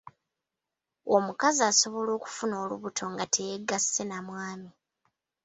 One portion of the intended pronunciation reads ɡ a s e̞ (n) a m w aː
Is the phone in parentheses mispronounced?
no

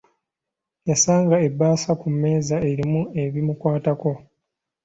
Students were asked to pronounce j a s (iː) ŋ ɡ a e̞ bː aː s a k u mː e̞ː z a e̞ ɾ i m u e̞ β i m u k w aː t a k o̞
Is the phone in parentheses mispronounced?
yes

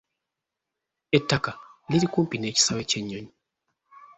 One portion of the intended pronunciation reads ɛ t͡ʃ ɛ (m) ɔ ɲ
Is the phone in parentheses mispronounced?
yes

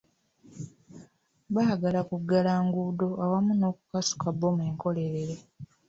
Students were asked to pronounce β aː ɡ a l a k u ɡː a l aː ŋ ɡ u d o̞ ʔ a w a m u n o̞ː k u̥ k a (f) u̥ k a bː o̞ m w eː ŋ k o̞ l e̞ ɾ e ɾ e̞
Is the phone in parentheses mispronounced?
yes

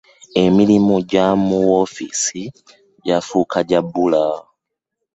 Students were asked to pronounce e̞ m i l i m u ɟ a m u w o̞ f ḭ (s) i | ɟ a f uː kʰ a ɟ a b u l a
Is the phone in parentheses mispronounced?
no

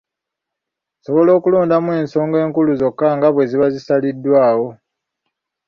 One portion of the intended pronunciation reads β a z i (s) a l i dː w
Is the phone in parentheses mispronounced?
no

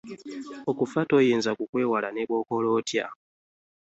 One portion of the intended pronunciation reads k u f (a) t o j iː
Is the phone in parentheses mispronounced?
no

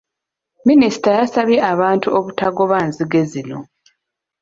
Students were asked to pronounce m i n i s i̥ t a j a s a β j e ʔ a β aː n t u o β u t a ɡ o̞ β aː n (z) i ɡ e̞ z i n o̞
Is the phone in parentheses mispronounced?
no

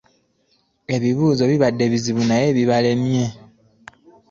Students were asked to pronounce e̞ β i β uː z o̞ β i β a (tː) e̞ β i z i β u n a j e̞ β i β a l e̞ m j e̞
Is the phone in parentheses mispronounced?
yes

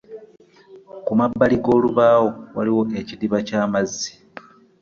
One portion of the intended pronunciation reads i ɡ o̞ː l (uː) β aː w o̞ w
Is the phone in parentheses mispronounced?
yes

